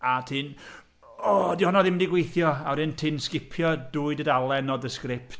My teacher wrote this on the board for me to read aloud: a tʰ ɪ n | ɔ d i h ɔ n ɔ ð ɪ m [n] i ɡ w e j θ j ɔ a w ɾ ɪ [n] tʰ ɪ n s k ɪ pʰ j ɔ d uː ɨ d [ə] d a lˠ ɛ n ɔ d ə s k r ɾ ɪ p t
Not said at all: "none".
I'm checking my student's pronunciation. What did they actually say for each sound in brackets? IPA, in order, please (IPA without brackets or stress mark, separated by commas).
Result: d, n, ə